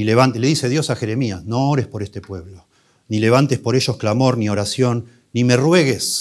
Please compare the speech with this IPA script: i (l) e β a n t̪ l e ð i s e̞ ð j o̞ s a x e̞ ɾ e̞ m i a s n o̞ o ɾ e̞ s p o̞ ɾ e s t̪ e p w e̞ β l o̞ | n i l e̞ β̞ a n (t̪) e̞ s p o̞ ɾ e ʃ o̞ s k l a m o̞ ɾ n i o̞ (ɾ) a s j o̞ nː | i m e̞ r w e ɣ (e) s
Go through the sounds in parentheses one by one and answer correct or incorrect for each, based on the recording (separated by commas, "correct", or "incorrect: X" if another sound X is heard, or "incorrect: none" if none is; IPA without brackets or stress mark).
correct, correct, correct, correct